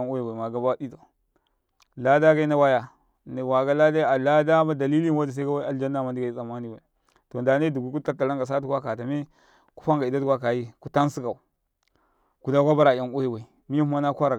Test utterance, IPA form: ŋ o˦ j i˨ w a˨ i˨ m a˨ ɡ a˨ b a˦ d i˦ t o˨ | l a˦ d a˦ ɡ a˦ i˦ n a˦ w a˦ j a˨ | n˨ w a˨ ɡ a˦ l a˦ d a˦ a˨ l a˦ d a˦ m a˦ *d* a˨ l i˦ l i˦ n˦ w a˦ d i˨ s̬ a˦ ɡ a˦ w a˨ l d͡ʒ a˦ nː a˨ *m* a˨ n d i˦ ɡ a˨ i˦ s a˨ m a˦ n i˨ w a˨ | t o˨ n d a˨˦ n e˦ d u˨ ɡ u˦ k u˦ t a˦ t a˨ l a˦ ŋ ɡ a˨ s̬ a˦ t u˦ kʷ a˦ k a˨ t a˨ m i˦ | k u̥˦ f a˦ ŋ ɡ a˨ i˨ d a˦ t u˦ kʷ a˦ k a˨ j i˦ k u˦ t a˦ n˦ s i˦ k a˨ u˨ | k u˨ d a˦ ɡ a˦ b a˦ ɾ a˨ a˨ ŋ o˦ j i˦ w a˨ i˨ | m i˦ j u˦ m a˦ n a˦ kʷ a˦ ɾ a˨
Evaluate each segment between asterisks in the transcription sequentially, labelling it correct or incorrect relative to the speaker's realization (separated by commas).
correct, correct